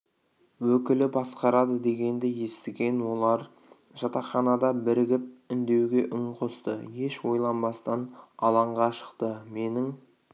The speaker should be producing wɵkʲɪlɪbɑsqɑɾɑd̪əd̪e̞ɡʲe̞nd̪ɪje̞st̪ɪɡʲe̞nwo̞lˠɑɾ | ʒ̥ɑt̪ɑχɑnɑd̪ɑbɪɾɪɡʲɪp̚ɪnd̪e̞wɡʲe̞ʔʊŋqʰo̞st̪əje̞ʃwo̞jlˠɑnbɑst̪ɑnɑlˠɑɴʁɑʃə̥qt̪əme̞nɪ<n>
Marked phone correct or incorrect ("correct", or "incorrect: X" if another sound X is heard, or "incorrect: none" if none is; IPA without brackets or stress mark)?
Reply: incorrect: ŋ